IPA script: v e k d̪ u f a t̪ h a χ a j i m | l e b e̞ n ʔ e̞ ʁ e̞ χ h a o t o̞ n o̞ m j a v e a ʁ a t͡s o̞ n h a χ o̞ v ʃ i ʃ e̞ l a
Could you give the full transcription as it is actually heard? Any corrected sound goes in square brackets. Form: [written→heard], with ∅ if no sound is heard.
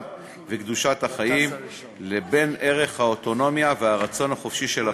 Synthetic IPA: v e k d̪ u [f→ʃ] a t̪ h a χ a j i m | l e b e̞ n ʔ e̞ ʁ e̞ χ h a o t o̞ n o̞ m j a v e a ʁ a t͡s o̞ n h a χ o̞ [v→f] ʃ i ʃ e̞ l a